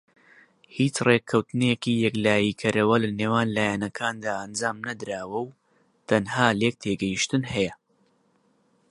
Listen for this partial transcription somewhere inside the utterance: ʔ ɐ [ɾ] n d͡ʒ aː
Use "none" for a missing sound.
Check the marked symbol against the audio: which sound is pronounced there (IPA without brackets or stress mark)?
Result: none